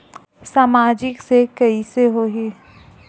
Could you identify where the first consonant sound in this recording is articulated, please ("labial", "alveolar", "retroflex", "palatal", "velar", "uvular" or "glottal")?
alveolar